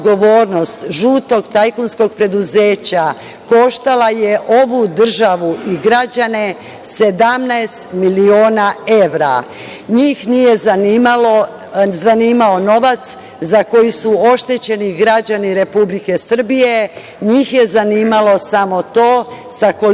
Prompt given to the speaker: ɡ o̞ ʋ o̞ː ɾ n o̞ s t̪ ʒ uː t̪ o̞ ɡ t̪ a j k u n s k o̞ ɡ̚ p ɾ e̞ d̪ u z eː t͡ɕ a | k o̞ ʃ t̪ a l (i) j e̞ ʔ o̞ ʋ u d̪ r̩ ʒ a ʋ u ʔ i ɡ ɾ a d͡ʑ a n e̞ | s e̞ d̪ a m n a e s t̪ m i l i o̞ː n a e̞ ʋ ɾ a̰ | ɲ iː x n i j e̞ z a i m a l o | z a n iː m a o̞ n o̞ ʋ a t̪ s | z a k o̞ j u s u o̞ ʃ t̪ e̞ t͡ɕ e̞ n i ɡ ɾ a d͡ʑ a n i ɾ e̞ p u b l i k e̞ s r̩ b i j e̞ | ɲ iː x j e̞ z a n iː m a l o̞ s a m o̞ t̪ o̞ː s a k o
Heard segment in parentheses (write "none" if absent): a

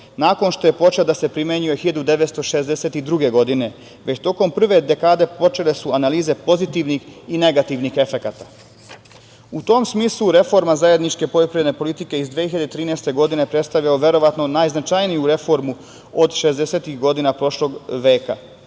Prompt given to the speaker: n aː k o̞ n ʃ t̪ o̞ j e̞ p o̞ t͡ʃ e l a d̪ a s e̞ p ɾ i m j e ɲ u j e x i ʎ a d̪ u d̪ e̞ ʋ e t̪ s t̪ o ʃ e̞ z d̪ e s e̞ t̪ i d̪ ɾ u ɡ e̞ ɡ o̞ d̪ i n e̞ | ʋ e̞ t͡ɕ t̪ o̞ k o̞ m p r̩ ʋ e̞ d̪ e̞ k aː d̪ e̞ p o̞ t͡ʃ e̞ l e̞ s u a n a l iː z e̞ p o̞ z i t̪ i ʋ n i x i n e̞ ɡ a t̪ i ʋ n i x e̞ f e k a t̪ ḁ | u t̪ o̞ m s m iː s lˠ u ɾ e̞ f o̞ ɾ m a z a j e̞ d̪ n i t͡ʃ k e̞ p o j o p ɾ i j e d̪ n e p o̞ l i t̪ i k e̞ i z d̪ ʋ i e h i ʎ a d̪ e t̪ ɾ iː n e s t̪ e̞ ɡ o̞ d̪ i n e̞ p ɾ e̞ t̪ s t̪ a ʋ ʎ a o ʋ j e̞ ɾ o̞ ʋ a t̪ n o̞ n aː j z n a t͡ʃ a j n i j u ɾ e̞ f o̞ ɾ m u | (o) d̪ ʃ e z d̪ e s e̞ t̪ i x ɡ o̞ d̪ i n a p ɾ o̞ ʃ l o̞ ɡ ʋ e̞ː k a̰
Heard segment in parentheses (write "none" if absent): o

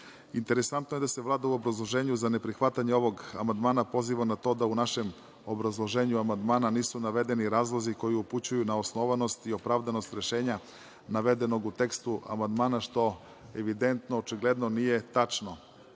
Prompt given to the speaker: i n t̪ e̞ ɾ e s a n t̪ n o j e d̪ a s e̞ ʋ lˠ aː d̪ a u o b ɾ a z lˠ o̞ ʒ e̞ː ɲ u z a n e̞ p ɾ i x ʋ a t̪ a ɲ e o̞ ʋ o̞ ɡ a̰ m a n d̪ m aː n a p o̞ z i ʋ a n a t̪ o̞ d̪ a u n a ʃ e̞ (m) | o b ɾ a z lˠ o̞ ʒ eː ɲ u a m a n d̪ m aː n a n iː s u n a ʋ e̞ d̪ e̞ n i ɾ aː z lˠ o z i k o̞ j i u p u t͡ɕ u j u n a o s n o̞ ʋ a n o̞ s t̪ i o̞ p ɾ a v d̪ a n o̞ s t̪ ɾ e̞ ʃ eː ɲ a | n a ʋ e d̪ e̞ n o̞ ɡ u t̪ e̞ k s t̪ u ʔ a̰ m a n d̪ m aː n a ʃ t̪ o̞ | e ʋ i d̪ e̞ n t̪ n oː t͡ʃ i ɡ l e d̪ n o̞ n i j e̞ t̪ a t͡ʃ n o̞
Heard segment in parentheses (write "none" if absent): m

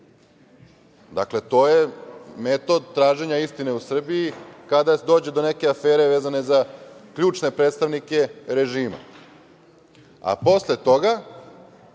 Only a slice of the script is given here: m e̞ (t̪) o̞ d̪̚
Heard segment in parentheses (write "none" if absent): t̪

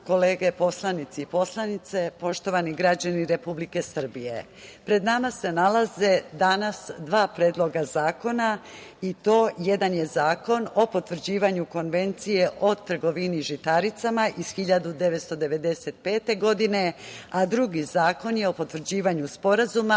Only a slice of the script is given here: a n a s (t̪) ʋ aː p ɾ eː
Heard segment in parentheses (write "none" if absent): d̪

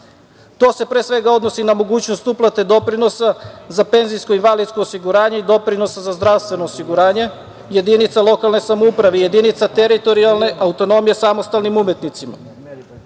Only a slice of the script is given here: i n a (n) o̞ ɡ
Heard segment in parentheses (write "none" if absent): m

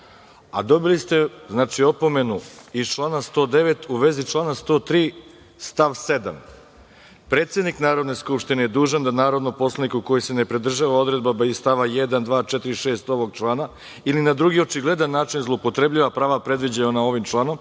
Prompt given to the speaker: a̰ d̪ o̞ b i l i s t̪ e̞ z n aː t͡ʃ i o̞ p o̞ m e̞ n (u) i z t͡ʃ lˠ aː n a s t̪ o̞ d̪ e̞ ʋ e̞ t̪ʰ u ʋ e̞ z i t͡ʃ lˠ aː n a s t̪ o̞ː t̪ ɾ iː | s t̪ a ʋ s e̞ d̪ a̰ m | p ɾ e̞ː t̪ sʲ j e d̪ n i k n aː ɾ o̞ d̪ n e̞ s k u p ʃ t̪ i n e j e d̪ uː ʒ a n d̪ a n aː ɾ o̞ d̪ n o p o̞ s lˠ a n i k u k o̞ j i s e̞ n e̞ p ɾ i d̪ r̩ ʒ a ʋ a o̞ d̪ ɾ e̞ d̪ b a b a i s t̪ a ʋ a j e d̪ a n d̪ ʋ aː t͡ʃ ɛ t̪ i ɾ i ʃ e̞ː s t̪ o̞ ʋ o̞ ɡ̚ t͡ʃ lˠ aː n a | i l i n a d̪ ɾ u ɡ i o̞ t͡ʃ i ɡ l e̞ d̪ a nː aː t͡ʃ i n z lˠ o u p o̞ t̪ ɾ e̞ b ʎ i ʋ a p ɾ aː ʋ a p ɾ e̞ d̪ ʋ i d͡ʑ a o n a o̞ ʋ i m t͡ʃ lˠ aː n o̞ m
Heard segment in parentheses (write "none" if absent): u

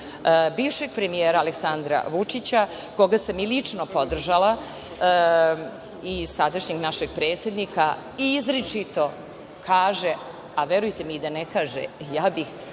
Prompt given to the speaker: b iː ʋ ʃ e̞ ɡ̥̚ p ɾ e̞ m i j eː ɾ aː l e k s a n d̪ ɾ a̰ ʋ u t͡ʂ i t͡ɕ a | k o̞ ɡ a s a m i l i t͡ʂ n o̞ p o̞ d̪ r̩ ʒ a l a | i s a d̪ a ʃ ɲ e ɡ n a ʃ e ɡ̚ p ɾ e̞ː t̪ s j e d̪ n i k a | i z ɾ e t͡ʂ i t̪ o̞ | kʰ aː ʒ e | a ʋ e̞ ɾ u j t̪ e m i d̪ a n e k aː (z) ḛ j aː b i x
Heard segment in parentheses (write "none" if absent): ʒ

